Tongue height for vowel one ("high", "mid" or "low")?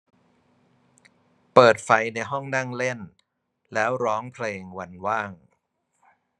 mid